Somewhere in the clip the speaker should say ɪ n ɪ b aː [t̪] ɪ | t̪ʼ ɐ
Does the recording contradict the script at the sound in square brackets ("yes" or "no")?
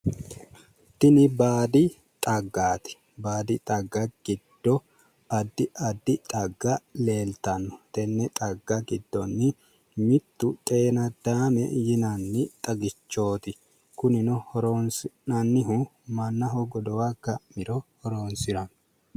yes